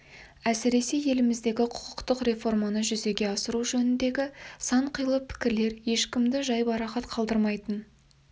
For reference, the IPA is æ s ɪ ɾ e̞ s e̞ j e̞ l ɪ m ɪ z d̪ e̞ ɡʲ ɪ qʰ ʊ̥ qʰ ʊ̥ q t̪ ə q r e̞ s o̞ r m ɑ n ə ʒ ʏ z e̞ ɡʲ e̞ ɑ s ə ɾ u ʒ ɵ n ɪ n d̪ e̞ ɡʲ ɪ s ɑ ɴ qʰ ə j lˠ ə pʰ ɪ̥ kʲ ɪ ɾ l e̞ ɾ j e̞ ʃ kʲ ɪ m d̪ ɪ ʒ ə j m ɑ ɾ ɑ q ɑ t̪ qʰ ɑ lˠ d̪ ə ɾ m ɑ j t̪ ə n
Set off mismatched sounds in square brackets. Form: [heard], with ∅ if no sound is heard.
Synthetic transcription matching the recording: æ s ɪ ɾ e̞ s e̞ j e̞ l ɪ m ɪ z d̪ e̞ ɡʲ ɪ qʰ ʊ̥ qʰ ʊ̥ q t̪ ə q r e̞ [f] o̞ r m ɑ n ə ʒ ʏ z e̞ ɡʲ e̞ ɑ s ə ɾ u ʒ ɵ n ɪ n d̪ e̞ ɡʲ ɪ s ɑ ɴ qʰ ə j lˠ ə pʰ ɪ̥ kʲ ɪ ɾ l e̞ ɾ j e̞ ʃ kʲ ɪ m d̪ ɪ ʒ [ɑ] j [b] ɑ ɾ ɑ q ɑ t̪ qʰ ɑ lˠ d̪ ə ɾ m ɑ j t̪ ə n